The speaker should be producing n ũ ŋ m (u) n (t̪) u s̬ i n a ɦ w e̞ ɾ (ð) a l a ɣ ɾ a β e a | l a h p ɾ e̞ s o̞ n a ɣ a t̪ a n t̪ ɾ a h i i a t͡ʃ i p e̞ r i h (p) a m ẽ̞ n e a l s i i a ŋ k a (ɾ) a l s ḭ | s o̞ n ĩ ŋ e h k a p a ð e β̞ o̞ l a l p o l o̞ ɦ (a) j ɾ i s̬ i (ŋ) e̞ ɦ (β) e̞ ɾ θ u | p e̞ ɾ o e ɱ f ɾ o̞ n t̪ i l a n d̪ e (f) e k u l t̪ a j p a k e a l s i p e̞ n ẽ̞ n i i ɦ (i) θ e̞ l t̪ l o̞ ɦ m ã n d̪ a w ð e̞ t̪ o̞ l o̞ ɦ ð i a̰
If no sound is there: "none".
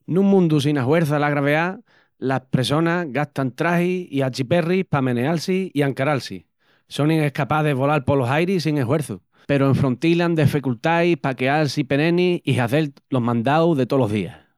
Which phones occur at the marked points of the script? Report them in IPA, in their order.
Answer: ũ, d̪, θ, p, ɾ, a, ŋ, w, f, a

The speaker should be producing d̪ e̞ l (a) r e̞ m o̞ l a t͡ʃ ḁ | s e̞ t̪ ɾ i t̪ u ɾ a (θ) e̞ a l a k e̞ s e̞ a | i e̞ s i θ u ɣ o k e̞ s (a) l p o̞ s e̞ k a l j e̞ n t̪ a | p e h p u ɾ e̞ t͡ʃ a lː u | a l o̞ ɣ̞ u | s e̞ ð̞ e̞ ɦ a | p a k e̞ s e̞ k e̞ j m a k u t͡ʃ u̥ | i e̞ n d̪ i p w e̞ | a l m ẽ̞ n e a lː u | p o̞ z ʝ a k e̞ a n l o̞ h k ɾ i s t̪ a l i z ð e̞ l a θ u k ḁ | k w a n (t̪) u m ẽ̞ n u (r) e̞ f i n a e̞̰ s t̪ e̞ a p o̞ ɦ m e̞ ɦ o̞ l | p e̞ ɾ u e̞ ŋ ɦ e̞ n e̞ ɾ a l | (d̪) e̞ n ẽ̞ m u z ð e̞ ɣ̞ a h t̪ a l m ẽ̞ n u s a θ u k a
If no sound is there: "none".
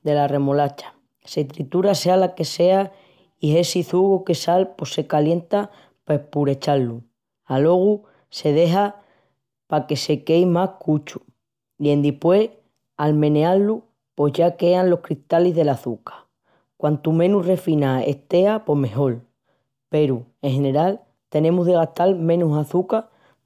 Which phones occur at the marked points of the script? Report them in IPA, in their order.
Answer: a, s, a, t̪, r, t̪

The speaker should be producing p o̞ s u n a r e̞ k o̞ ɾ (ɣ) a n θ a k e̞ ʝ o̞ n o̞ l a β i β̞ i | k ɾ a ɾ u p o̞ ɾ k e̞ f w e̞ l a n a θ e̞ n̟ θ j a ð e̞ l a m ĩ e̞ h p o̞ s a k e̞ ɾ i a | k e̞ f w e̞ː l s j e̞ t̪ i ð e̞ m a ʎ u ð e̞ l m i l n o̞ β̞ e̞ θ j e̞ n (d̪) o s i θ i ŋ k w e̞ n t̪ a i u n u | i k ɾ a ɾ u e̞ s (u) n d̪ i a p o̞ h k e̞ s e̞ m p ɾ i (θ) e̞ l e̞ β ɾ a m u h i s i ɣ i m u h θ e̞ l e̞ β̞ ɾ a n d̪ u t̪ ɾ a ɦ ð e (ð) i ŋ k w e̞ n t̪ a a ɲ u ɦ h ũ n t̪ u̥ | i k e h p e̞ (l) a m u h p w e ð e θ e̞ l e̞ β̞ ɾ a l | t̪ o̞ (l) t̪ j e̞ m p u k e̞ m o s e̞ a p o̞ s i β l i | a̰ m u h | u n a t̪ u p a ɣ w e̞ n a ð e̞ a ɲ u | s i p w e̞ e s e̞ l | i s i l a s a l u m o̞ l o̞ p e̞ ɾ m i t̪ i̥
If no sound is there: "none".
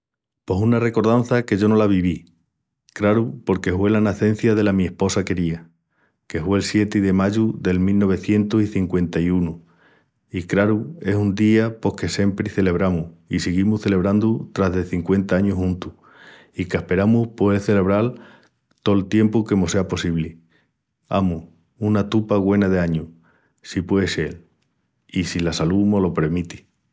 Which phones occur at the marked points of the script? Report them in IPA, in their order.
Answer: ð, t̪, u, θ, θ, ɾ, l

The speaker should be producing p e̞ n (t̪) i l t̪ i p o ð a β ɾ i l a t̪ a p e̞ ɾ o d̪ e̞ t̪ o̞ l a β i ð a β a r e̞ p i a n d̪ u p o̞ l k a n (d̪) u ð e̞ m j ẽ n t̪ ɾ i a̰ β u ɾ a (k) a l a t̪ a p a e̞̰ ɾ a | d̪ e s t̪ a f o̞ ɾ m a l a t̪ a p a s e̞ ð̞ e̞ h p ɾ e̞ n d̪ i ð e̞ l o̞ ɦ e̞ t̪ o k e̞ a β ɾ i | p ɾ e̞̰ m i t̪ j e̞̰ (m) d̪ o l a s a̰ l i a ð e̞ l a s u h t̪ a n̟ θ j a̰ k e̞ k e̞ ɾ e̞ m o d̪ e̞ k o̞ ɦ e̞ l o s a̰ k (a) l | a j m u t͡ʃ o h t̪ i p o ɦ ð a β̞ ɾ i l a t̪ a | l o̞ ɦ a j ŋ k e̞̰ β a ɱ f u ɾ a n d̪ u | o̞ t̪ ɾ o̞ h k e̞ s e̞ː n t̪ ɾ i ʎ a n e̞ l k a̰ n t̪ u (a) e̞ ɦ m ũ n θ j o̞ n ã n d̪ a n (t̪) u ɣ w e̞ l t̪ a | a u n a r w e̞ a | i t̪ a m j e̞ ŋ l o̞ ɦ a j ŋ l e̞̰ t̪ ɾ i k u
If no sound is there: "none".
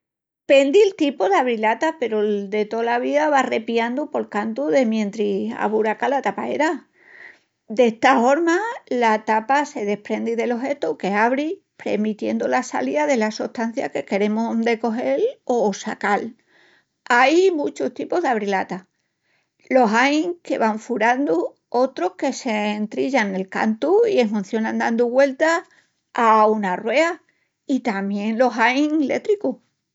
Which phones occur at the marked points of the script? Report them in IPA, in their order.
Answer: d̪, t̪, k, n, a, i, d̪

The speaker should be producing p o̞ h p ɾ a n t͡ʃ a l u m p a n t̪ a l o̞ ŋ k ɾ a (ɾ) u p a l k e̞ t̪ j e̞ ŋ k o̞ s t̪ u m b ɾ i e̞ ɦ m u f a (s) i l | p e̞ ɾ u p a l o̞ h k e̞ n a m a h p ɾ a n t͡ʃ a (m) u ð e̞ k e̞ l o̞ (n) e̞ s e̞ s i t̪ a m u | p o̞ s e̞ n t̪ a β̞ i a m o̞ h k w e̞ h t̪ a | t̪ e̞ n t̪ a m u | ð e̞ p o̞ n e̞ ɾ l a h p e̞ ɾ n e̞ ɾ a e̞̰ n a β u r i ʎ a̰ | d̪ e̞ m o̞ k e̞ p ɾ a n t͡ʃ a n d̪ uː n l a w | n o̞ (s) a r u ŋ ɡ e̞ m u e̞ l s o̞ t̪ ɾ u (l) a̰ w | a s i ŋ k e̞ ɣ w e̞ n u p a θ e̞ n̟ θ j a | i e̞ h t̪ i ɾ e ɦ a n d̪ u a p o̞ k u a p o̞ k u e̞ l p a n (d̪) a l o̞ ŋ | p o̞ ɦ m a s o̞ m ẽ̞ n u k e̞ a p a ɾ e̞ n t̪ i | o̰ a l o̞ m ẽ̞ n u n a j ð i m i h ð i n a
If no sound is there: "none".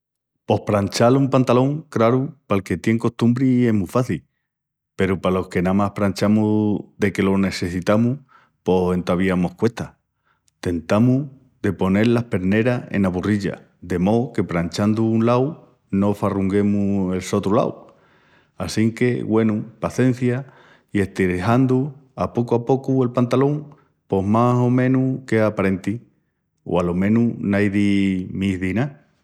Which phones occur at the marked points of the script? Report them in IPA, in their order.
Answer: ɾ, θ, m, n, f, l, t̪

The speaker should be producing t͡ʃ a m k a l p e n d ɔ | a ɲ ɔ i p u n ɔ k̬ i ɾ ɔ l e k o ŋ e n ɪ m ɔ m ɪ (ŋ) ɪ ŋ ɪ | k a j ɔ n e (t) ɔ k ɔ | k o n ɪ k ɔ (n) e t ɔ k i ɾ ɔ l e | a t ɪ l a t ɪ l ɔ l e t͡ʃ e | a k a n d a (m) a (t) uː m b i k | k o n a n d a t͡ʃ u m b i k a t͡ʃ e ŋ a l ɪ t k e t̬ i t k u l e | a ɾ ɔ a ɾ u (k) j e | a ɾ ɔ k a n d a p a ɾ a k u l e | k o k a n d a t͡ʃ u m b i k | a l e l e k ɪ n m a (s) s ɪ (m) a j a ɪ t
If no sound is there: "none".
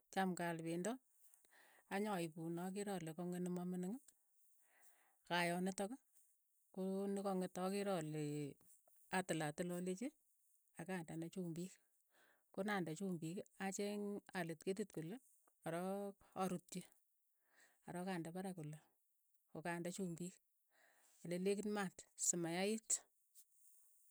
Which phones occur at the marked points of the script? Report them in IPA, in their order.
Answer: n, t, ŋ, n, t͡ʃ, t, t, m

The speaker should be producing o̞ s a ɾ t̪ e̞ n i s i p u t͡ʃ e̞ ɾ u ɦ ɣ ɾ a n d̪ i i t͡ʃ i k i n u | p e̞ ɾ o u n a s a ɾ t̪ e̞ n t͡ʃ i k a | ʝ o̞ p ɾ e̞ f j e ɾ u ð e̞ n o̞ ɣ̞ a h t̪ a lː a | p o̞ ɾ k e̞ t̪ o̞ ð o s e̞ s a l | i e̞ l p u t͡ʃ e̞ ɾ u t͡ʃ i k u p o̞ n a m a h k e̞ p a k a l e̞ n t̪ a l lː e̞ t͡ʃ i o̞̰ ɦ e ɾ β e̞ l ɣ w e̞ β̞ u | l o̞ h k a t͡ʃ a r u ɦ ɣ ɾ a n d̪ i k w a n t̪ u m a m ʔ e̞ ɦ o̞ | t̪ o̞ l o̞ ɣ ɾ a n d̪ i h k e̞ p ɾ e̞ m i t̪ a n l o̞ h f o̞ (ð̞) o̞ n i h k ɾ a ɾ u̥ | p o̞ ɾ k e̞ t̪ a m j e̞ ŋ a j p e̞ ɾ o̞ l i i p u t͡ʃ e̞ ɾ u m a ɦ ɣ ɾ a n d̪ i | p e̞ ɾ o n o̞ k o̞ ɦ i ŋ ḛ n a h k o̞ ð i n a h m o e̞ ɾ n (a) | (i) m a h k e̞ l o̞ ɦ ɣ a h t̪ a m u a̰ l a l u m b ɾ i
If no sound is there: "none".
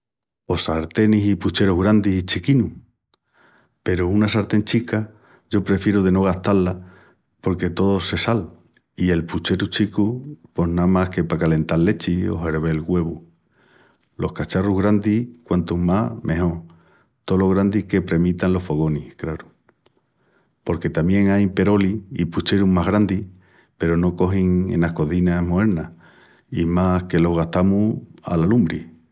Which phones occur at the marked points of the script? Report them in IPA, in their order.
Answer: ɣ̞, a, i

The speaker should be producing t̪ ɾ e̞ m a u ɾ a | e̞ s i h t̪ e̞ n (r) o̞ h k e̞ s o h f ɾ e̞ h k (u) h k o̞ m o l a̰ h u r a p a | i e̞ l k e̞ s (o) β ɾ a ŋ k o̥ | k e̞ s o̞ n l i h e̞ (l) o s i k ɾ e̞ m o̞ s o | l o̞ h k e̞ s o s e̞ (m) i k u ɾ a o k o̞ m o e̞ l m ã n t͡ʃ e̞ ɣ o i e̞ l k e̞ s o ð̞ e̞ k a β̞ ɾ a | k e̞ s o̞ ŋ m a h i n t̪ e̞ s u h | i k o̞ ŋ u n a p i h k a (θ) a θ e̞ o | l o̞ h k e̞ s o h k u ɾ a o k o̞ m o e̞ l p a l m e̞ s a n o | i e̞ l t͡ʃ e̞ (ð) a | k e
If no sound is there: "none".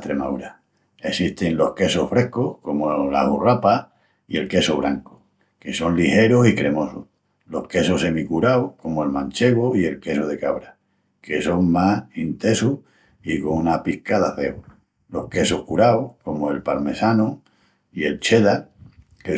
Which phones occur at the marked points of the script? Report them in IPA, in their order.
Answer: l, o, o, ɾ, m, ð, ð

